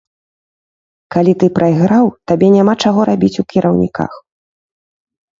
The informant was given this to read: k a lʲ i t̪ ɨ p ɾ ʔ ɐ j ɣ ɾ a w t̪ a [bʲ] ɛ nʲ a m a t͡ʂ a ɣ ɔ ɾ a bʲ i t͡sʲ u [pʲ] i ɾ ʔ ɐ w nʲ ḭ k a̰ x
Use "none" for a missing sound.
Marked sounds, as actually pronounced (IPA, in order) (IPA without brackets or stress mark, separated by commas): bʲ, kʲ